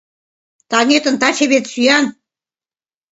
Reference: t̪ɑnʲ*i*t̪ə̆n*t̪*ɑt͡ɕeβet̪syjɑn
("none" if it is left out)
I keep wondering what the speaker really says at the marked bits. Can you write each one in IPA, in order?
e, t̪

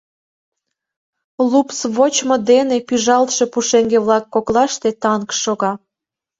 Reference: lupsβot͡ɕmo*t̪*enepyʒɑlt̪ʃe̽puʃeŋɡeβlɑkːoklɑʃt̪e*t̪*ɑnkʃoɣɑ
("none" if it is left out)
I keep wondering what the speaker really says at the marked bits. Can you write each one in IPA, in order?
d̪, t̪

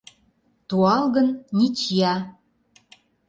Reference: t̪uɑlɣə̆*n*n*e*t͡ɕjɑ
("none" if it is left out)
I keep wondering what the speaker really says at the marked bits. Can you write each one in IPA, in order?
n, i

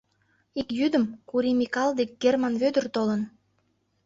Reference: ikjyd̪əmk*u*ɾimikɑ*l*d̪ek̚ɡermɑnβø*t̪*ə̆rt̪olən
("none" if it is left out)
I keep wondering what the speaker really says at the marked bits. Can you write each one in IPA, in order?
u, l, d̪

